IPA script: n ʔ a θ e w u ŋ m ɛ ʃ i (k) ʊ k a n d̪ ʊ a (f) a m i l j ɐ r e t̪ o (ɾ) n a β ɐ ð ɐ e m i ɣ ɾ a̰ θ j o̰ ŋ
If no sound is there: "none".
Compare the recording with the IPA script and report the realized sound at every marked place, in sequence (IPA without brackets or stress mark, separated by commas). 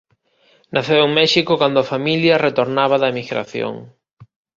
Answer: k, f, ɾ